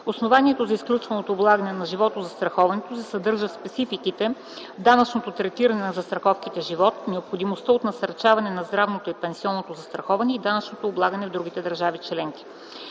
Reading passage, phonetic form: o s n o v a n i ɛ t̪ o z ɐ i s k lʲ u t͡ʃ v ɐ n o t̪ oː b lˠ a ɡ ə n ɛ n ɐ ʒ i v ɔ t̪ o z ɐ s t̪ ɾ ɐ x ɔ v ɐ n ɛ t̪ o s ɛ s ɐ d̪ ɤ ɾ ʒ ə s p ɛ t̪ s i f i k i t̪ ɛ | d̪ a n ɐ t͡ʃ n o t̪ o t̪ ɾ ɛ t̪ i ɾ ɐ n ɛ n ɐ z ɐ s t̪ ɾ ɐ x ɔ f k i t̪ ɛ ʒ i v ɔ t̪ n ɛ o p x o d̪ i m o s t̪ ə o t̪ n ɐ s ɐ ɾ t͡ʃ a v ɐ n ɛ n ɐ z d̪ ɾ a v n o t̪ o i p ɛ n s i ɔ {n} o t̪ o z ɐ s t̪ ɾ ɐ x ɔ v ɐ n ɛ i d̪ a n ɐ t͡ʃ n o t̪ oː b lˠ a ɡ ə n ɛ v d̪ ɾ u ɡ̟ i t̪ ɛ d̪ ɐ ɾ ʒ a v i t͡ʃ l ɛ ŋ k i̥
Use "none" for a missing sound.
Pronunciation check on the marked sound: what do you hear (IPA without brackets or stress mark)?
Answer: nː